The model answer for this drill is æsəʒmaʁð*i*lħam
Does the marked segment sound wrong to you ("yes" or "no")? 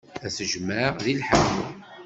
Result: no